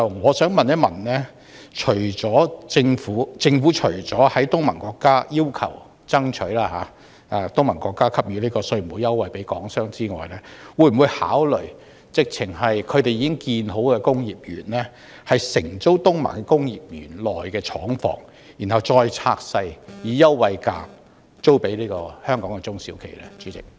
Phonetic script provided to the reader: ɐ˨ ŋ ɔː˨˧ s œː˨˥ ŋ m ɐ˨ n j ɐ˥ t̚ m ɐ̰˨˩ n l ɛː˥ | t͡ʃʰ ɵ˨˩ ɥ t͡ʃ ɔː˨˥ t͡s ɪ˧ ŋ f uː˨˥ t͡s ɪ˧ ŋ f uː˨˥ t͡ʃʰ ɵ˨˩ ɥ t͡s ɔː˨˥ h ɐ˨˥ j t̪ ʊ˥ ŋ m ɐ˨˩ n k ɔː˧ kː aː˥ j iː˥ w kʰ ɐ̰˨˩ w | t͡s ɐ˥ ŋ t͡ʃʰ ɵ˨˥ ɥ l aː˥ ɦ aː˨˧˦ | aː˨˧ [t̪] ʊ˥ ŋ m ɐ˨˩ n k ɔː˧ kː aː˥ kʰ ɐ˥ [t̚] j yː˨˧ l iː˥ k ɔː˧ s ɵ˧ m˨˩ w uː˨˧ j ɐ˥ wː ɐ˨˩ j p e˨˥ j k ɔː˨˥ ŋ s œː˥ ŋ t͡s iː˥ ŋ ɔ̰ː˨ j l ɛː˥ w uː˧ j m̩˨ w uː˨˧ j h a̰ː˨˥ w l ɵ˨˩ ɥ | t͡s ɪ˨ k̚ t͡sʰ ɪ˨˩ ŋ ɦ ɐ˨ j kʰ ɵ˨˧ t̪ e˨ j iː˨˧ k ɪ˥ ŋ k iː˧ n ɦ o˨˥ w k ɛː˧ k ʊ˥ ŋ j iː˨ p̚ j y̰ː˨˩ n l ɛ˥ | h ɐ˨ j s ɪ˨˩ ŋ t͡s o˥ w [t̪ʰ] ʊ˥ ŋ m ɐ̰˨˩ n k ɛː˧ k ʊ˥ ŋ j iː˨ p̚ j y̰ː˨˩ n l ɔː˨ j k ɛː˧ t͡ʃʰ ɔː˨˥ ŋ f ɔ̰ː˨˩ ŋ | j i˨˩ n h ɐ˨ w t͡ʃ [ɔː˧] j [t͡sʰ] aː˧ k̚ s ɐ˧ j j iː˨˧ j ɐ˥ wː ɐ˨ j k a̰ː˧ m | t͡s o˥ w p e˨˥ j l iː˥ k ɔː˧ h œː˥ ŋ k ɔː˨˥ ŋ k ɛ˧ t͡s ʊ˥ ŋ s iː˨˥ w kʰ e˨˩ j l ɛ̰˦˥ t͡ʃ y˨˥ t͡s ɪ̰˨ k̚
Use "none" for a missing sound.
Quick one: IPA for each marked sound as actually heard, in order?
t̪, p̚, t̪, ɔː˧, t͡sʰ

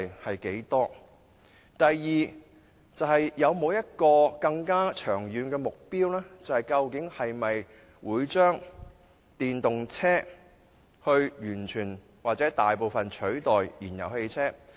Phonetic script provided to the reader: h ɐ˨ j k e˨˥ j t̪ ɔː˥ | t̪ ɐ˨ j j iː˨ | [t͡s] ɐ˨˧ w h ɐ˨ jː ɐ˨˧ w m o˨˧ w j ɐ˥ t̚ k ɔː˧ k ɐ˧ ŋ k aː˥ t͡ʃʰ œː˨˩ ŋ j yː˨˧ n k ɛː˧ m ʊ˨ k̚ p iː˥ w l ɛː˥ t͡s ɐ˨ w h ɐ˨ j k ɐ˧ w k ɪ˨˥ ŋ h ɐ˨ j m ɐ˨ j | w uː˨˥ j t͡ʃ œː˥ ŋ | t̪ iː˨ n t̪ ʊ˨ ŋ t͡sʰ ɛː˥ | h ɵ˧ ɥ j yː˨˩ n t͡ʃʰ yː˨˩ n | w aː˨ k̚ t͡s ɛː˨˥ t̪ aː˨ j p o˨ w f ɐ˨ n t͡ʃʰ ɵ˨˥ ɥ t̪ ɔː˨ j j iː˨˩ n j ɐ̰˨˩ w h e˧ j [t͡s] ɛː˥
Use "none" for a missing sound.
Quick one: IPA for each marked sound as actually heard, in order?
t͡s, t͡sʰ

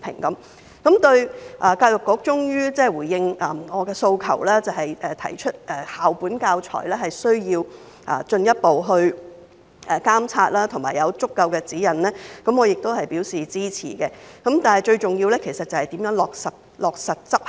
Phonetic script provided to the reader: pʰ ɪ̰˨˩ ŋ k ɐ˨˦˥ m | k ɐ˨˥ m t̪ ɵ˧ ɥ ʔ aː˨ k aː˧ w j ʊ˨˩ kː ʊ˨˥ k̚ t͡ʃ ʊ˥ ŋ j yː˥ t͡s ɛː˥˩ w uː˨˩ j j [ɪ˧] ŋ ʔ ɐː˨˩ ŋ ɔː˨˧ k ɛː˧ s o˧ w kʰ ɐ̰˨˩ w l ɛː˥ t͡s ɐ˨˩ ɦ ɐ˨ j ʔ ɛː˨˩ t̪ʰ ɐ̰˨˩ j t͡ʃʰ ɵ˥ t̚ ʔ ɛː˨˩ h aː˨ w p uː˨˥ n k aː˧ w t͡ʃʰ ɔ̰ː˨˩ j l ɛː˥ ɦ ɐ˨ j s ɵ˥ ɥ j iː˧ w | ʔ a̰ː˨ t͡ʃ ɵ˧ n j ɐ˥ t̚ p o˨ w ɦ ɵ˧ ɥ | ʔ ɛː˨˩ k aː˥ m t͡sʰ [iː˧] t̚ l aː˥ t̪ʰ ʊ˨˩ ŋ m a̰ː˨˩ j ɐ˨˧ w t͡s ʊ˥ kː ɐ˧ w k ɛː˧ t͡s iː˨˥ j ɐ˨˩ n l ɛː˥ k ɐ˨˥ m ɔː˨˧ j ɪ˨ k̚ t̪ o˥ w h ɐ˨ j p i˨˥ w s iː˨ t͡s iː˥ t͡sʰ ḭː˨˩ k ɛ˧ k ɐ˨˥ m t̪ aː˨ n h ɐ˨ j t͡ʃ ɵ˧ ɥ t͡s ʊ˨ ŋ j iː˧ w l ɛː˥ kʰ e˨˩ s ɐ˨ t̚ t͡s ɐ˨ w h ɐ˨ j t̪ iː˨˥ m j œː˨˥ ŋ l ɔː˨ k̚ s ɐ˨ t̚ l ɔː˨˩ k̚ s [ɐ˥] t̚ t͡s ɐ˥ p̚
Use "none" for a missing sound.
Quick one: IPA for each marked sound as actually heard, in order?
ɪ˧, aː˧, ɐ˨

